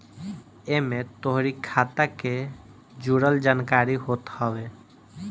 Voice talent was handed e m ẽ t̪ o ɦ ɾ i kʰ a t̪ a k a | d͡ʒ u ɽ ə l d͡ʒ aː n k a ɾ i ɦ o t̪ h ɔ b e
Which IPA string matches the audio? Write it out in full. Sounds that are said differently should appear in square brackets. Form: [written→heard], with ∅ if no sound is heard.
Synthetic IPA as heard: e m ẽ t̪ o ɦ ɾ i kʰ a t̪ a k [a→e] | d͡ʒ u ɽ ə l d͡ʒ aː n k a ɾ i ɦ o t̪ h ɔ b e